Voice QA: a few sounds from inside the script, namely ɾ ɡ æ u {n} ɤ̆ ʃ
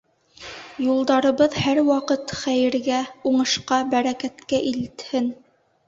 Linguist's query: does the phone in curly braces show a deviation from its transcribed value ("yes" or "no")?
yes